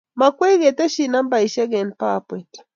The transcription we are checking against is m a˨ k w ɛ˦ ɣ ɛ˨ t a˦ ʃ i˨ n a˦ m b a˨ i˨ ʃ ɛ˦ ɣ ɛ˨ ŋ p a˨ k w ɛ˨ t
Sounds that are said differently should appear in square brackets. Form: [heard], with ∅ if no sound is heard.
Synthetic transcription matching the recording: m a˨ k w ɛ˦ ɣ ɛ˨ t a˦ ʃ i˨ n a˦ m b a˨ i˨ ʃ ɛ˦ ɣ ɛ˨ [n] p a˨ [p] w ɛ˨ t